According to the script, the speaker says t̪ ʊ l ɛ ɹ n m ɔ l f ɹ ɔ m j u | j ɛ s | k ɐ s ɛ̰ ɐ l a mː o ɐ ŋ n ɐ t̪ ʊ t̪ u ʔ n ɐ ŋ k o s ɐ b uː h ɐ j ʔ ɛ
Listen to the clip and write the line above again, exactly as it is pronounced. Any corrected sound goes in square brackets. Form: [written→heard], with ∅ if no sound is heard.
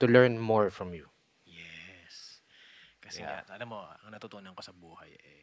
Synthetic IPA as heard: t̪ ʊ l ɛ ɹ n m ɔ [l→ɹ] f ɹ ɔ m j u | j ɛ s | k ɐ s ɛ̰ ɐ l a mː o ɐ ŋ n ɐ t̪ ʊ t̪ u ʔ n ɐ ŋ k o s ɐ b uː h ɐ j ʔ ɛ